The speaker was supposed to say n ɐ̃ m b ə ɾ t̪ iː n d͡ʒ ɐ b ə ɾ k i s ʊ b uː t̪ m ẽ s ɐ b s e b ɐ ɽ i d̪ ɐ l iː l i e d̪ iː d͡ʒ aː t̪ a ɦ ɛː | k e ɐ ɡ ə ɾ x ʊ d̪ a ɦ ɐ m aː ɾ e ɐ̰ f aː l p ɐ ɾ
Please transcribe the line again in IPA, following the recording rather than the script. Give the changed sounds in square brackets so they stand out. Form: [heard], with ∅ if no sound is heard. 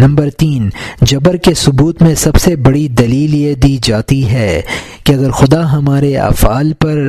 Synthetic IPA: n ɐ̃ m b ə ɾ t̪ iː n d͡ʒ ɐ b ə ɾ k [e] s ʊ b uː t̪ m ẽ s ɐ b s e b ɐ ɽ i d̪ ɐ l iː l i e d̪ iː d͡ʒ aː t̪ [i] ɦ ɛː | k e ɐ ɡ ə ɾ x ʊ d̪ a ɦ ɐ m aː ɾ e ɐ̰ f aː l p ɐ ɾ